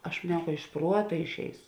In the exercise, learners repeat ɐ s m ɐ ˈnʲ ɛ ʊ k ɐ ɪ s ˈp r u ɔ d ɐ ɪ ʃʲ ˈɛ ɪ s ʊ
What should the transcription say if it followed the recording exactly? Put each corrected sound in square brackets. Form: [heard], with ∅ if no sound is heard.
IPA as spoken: ɐ [ʃ] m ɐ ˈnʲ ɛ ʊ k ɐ ɪ [ʃ] ˈp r u ɔ [t] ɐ ɪ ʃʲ ˈɛ ɪ s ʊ

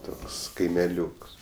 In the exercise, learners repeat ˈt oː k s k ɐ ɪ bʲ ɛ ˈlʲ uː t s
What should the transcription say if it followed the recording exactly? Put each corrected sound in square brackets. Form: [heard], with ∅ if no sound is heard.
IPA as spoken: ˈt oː k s k ɐ ɪ [mʲ] ɛ ˈlʲ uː [k] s

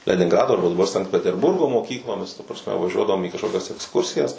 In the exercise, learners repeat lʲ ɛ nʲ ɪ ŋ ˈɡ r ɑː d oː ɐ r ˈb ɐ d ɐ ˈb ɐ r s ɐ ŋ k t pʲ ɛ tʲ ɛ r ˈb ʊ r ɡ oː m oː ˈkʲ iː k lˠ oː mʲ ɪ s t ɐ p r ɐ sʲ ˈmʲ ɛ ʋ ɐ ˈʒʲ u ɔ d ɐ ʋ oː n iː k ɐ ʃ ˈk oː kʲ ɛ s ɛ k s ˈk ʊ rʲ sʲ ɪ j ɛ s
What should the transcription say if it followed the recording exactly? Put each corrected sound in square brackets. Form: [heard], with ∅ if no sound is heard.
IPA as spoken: lʲ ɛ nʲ ɪ ŋ ˈɡ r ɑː d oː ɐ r ˈb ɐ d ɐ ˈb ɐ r s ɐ ŋ k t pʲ ɛ tʲ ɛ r ˈb ʊ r ɡ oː m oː ˈkʲ iː k lˠ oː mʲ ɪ s t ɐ p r ɐ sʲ ˈmʲ ɛ ʋ ɐ ˈʒʲ u ɔ d ɐ ʋ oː [m] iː k ɐ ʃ ˈk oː kʲ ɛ s ɛ k s ˈk ʊ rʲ sʲ ɪ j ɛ s

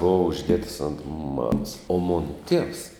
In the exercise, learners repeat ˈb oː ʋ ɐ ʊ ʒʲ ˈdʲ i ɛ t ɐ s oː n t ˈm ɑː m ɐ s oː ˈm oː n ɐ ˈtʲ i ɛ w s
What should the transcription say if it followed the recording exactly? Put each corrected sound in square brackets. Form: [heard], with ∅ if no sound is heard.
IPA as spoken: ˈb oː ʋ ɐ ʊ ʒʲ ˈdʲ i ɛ t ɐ s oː n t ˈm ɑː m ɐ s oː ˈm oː n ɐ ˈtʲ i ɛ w s

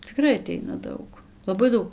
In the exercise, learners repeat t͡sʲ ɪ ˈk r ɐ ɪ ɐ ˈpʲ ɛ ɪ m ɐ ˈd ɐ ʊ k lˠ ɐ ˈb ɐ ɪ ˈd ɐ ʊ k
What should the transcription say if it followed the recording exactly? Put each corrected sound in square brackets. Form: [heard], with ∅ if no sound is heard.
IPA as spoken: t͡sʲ ɪ ˈk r ɐ ɪ ɐ [ˈtʲ] ɛ ɪ [n] ɐ ˈd ɐ ʊ k lˠ ɐ ˈb ɐ ɪ ˈd ɐ ʊ k

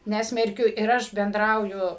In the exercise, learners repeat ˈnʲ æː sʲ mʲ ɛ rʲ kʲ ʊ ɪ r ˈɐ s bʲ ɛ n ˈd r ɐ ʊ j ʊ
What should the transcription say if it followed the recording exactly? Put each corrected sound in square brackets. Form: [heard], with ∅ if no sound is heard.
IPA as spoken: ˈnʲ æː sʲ mʲ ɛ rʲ kʲ ʊ ɪ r ˈɐ [ʃ] bʲ ɛ n ˈd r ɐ ʊ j ʊ

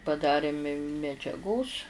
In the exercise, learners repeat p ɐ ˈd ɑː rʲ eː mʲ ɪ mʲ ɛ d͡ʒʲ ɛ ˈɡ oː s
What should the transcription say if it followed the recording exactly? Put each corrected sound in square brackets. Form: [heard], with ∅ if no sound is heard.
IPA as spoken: p ɐ ˈd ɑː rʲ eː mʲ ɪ mʲ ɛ d͡ʒʲ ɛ ˈɡ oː s

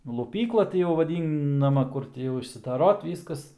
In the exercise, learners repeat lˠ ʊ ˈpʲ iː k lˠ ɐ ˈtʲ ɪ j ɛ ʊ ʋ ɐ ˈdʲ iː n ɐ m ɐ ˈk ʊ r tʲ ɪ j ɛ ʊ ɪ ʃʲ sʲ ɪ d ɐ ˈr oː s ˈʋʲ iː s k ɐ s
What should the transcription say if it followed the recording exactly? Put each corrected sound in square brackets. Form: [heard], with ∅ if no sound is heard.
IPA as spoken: lˠ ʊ ˈpʲ iː k lˠ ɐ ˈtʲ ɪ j ɛ ʊ ʋ ɐ ˈdʲ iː n ɐ m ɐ ˈk ʊ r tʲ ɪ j ɛ ʊ ɪ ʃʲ sʲ ɪ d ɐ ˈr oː [t] ˈʋʲ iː s k ɐ s

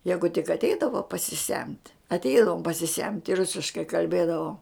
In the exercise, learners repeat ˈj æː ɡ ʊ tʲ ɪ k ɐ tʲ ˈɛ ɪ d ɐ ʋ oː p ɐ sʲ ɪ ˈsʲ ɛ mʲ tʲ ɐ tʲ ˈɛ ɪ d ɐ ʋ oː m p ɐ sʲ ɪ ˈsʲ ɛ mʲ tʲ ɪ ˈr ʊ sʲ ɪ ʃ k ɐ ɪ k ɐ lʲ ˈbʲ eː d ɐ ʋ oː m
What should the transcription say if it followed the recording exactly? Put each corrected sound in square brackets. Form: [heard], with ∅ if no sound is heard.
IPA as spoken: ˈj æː ɡ ʊ tʲ ɪ k ɐ tʲ ˈɛ ɪ d ɐ ʋ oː p ɐ sʲ ɪ ˈsʲ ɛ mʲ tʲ ɐ tʲ ˈɛ ɪ d ɐ ʋ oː m p ɐ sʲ ɪ ˈsʲ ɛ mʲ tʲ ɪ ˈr ʊ sʲ ɪ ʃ k ɐ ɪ k ɐ lʲ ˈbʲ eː d ɐ ʋ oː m

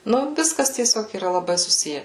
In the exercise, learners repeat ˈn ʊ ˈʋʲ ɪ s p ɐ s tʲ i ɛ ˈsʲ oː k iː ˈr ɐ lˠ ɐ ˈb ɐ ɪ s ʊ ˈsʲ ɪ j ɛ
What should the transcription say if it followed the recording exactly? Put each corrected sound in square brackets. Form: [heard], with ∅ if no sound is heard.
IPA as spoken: ˈn ʊ ˈʋʲ ɪ s [k] ɐ s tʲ i ɛ ˈsʲ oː k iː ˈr ɐ lˠ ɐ ˈb ɐ ɪ s ʊ ˈsʲ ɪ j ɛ

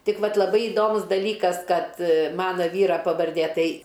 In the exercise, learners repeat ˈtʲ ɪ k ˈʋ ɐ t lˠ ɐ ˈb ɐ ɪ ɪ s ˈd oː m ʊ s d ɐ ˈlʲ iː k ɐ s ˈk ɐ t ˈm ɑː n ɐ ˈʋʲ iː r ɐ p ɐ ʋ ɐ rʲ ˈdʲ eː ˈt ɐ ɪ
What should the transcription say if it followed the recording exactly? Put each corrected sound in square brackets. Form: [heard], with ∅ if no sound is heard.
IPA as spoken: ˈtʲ ɪ k ˈʋ ɐ t lˠ ɐ ˈb ɐ ɪ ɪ [∅] ˈd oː m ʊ s d ɐ ˈlʲ iː k ɐ s ˈk ɐ t ˈm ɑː n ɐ ˈʋʲ iː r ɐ p ɐ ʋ ɐ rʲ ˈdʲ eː ˈt ɐ ɪ

